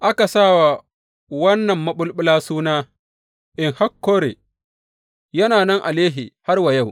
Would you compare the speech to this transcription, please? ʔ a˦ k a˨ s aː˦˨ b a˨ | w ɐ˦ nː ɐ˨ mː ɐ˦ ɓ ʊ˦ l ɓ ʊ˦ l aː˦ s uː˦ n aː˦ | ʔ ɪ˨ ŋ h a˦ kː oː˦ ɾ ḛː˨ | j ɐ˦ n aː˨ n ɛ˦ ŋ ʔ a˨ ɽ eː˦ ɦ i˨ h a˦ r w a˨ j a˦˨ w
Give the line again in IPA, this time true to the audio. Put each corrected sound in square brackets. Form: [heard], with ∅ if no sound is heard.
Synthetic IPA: ʔ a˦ k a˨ s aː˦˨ [w] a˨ | w ɐ˦ nː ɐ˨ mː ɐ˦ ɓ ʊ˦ l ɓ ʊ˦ l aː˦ s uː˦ n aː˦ | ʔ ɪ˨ ŋ h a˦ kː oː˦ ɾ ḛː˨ | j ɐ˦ n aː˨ n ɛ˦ ŋ ʔ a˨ [l] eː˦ ɦ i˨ h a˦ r w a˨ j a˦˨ w